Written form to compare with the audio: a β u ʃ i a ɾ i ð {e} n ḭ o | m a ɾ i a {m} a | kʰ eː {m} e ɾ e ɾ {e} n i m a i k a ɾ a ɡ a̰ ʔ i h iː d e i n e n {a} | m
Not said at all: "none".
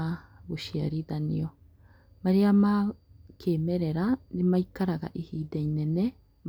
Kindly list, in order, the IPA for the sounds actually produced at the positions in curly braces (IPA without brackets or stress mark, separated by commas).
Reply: a, m, m, a, e